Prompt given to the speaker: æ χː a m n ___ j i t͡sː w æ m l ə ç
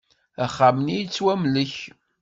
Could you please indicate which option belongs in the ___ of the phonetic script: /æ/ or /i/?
i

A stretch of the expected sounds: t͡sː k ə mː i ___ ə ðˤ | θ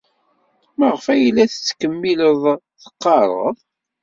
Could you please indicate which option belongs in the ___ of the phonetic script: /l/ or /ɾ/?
l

